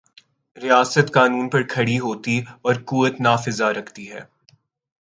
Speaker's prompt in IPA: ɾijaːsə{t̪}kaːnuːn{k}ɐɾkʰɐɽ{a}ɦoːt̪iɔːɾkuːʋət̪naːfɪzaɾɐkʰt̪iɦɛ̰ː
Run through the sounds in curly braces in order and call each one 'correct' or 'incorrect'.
correct, incorrect: p, incorrect: i

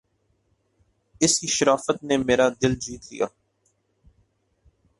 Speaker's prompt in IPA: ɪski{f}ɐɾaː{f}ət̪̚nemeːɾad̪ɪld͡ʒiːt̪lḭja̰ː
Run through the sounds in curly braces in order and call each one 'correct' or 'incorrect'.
incorrect: ʃ, correct

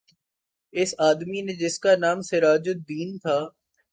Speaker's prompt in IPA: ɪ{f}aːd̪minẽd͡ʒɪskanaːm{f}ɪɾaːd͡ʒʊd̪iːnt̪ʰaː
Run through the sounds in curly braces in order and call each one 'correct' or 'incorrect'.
incorrect: s, incorrect: s

